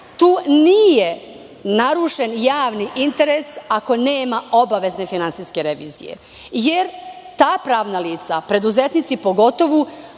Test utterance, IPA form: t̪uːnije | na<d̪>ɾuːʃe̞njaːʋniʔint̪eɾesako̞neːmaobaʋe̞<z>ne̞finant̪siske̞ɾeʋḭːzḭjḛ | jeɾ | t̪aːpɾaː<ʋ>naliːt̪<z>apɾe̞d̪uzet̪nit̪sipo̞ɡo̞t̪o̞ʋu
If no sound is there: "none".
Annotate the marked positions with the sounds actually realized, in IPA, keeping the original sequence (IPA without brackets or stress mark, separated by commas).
none, z, ʋ, s